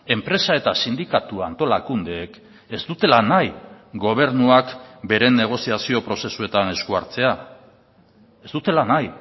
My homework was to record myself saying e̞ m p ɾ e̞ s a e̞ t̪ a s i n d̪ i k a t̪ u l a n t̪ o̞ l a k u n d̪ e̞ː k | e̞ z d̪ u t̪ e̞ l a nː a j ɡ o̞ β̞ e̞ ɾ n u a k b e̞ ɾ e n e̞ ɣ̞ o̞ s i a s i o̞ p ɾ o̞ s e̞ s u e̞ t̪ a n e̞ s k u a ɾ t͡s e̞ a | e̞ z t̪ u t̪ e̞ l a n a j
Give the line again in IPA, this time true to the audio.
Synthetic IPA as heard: e̞ m p ɾ e̞ s a e̞ t̪ a s i n d̪ i k a t̪ u a n t̪ o̞ l a k u n d̪ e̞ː k | e̞ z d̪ u t̪ e̞ l a n a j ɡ o̞ β̞ e̞ ɾ n u a k b e̞ ɾ e n e̞ ɣ̞ o̞ s i a s i o̞ p ɾ o̞ s e̞ s u e̞ t̪ a n e̞ s k u a ɾ t͡s e̞ a | e̞ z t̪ u t̪ e̞ l a n a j